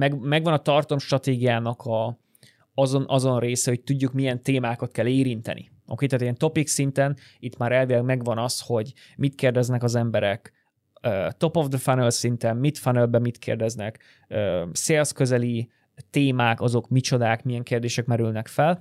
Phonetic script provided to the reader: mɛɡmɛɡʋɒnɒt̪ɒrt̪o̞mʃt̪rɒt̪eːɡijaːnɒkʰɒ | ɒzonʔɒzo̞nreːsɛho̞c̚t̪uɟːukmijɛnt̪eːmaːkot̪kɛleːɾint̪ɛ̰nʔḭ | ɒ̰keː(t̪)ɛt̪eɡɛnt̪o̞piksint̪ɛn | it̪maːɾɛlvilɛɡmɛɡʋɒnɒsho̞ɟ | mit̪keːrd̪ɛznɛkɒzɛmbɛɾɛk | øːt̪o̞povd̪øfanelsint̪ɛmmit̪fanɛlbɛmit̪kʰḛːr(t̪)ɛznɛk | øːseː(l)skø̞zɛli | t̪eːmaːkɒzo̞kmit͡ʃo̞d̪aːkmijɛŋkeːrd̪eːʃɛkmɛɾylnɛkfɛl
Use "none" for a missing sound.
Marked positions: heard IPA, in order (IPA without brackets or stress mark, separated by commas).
t̪, d̪, l